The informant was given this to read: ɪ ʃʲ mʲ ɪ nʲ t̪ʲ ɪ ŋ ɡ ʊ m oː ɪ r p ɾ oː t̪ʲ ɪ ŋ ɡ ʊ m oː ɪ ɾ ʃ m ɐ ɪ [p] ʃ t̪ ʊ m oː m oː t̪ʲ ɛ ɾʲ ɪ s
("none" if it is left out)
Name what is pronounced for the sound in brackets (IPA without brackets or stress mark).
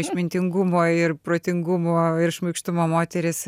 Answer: k